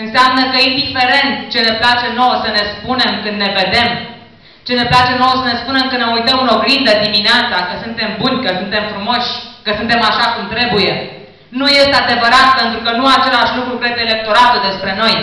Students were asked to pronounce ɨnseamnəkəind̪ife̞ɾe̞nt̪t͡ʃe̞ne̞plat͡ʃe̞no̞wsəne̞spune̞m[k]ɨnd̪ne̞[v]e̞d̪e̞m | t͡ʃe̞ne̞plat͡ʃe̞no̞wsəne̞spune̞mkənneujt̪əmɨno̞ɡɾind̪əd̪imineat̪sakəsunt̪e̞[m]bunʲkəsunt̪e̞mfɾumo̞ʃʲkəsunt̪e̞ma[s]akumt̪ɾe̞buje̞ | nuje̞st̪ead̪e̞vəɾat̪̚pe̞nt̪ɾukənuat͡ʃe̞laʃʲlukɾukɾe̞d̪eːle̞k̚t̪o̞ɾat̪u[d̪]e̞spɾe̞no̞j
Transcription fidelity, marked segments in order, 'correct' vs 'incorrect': correct, correct, correct, incorrect: ʃ, correct

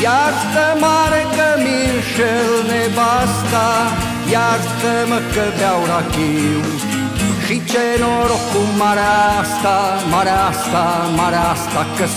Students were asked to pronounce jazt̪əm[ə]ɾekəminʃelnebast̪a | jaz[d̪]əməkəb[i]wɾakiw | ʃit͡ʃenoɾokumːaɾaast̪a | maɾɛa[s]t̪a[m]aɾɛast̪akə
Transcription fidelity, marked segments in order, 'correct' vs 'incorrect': incorrect: a, incorrect: t̪, incorrect: a, correct, correct

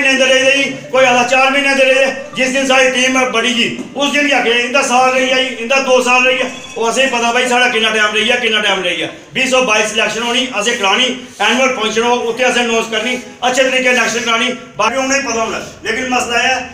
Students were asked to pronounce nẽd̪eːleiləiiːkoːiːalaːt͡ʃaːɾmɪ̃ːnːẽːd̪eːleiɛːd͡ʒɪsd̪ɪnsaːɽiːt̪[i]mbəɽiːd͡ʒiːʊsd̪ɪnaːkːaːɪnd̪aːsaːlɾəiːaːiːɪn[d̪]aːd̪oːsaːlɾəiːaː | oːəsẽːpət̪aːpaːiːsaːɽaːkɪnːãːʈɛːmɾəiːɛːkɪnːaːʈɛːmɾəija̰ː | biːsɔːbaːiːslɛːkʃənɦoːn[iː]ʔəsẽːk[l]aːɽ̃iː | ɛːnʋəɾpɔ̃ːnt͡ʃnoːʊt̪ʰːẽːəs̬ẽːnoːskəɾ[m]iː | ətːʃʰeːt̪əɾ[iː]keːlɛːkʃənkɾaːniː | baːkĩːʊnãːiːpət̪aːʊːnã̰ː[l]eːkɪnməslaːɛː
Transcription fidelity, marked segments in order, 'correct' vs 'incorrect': incorrect: iː, correct, correct, incorrect: ɾ, incorrect: n, correct, correct

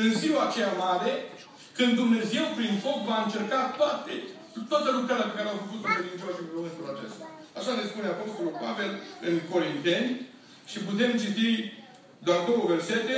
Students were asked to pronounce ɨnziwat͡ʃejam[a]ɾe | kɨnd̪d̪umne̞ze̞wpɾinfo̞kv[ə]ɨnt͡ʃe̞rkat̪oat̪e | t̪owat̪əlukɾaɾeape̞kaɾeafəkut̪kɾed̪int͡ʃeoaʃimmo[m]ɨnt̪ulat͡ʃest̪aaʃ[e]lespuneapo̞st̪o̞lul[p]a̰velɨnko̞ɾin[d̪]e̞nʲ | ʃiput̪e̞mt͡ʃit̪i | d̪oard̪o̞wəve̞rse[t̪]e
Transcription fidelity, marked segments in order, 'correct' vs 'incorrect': correct, incorrect: a, correct, incorrect: a, correct, incorrect: t̪, correct

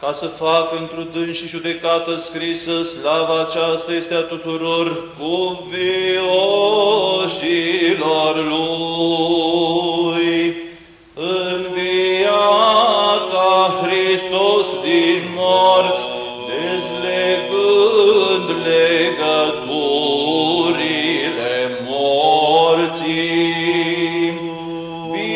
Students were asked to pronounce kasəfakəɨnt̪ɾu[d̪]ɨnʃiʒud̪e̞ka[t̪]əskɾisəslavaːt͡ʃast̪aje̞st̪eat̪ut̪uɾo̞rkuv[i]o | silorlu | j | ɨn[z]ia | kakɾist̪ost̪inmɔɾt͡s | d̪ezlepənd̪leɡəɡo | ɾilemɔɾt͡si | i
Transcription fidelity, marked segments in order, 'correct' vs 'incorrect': correct, correct, correct, incorrect: v

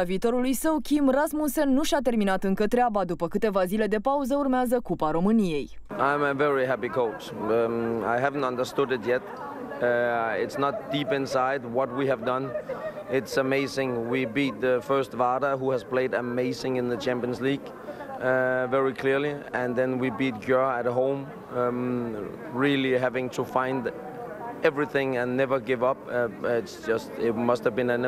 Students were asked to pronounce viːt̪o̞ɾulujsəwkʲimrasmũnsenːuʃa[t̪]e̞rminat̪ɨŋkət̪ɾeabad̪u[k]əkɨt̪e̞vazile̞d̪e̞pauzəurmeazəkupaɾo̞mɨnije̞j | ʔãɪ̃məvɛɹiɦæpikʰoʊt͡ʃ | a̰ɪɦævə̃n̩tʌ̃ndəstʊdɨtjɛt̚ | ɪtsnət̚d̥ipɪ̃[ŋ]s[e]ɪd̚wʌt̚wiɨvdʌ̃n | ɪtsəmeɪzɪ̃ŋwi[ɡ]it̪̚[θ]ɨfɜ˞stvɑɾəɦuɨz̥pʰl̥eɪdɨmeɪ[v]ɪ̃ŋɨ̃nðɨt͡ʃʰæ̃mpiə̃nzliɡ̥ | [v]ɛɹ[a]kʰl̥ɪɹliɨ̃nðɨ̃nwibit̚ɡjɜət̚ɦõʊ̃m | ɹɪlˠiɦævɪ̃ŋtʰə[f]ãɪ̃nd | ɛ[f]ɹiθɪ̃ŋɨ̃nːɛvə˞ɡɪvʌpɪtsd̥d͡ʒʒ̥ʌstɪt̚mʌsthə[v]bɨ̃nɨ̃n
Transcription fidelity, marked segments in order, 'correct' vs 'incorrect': correct, incorrect: p, incorrect: n, incorrect: a, incorrect: b, incorrect: ð, incorrect: z, correct, incorrect: i, correct, incorrect: v, correct

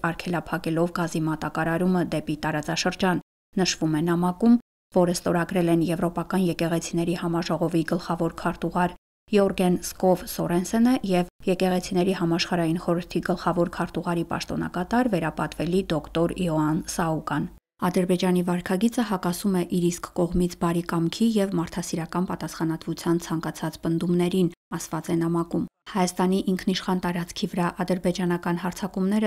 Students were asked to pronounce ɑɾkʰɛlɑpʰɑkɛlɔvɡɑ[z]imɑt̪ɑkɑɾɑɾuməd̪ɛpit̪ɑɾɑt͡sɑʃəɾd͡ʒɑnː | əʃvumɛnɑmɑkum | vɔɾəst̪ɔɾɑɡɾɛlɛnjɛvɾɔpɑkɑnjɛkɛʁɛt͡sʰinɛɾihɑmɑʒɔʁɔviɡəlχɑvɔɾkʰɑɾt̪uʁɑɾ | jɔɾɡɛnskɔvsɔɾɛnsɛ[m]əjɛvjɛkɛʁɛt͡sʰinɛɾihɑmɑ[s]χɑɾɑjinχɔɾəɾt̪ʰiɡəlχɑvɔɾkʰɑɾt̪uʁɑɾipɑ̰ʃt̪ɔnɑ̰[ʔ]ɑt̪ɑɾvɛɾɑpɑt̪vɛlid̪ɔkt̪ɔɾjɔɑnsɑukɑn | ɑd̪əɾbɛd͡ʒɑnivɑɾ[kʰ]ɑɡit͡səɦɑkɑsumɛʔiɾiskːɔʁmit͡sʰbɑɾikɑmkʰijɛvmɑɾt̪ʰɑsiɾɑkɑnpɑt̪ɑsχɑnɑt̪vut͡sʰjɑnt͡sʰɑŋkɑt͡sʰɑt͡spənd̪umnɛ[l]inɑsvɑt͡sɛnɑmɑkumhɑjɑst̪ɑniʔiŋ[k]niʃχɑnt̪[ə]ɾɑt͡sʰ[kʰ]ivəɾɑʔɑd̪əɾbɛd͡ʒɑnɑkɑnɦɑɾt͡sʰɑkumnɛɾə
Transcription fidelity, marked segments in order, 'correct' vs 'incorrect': correct, incorrect: n, incorrect: ʃ, incorrect: k, correct, incorrect: ɾ, incorrect: kʰ, incorrect: ɑ, correct

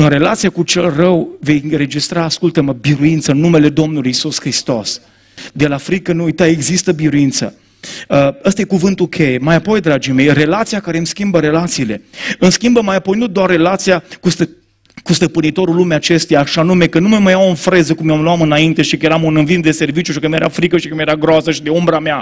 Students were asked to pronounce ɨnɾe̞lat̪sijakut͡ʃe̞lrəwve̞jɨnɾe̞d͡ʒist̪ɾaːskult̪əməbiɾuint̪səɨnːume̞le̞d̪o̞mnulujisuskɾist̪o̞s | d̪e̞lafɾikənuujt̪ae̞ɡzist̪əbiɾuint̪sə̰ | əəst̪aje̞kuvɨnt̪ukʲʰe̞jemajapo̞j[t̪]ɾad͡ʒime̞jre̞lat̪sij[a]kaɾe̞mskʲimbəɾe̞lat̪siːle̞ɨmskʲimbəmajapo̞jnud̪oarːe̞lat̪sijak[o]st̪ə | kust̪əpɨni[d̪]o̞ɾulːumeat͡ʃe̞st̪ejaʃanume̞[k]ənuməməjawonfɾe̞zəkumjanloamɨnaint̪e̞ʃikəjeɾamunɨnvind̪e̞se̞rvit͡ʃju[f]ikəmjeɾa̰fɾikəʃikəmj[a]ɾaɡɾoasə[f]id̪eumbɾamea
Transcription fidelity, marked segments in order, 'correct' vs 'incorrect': incorrect: d̪, correct, incorrect: u, incorrect: t̪, correct, incorrect: ʃ, incorrect: e, incorrect: ʃ

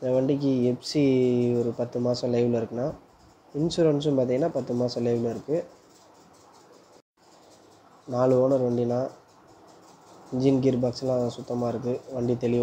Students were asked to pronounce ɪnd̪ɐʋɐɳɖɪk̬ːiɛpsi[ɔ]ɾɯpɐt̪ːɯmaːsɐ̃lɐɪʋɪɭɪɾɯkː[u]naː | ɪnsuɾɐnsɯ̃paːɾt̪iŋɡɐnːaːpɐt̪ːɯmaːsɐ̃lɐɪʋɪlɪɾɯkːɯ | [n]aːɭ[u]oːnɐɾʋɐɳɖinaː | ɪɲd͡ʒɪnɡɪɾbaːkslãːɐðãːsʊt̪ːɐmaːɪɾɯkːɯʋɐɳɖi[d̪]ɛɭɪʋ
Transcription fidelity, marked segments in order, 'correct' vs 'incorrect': correct, incorrect: ɯ, correct, incorrect: ɯ, incorrect: t̪

